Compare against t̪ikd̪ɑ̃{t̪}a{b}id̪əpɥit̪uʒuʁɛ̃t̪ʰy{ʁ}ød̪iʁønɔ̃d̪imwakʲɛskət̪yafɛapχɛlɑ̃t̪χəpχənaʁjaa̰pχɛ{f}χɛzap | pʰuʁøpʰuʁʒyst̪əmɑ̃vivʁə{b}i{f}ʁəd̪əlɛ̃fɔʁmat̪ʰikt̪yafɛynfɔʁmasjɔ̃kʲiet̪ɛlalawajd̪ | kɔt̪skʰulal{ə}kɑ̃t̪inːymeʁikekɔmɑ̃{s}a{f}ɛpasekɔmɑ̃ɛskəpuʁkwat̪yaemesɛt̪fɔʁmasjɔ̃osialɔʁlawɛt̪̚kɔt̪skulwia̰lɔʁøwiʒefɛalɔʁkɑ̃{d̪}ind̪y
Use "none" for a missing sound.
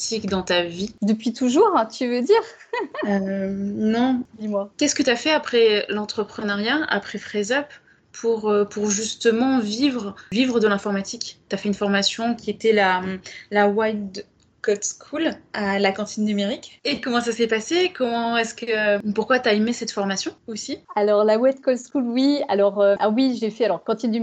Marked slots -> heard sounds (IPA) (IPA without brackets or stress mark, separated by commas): t̪, v, v, f, v, v, a, s, s, t̪